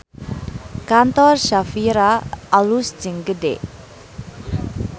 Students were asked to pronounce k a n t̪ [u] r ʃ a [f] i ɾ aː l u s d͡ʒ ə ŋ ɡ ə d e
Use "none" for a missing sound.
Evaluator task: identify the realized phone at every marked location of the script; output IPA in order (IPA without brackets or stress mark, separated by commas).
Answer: ɔ, f